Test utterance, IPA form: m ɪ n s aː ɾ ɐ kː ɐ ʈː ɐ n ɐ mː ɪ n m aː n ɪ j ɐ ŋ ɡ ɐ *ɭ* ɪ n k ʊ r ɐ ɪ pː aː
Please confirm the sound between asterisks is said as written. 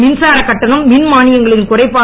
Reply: yes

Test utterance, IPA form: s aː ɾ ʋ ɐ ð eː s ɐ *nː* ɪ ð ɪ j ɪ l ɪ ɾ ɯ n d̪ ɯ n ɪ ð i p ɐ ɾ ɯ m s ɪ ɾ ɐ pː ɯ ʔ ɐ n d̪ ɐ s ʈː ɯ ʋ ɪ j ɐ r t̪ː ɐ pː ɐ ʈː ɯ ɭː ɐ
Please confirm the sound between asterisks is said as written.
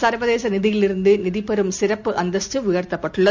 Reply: no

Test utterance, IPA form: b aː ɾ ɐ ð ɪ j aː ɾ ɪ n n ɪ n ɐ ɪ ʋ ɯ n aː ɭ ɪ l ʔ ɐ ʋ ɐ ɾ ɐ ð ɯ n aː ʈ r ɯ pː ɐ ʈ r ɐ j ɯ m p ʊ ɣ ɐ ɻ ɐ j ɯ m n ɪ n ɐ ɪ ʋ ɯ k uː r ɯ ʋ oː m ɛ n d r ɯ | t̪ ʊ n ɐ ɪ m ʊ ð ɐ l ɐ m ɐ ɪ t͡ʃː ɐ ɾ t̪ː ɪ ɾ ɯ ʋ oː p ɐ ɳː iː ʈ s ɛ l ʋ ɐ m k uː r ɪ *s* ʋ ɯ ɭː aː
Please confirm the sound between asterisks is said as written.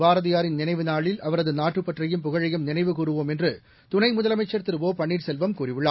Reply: no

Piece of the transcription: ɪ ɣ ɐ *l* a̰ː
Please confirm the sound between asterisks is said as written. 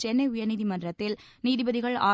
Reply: no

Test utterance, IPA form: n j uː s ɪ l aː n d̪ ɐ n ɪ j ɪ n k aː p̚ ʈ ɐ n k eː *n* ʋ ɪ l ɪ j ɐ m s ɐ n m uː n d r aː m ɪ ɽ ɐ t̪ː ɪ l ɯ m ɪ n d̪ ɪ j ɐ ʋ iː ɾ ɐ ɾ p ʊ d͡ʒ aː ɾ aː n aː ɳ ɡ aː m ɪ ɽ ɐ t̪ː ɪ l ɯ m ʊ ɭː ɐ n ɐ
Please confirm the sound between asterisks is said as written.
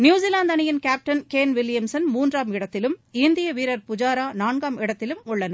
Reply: yes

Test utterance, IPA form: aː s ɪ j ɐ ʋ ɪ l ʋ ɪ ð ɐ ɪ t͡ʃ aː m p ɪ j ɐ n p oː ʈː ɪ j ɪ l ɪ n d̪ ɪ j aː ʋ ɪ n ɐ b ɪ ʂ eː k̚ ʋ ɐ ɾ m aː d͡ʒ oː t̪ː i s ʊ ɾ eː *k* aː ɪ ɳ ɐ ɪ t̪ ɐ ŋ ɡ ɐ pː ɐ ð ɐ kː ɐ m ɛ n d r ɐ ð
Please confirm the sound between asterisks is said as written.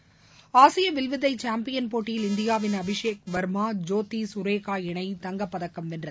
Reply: yes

